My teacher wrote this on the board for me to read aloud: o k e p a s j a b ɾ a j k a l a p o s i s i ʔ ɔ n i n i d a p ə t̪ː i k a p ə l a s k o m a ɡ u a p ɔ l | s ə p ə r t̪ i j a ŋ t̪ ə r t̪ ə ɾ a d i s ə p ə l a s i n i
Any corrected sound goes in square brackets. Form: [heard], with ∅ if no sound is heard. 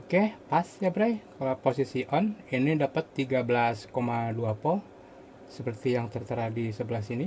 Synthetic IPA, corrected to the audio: o k e p a s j a b ɾ a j k a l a p o s i s i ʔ ɔ n i n i d a p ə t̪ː i [ɡ] a [b] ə l a s k o m a [d] u a p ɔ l | s ə p ə r t̪ i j a ŋ t̪ ə r t̪ ə ɾ a d i s ə [b] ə l a s i n i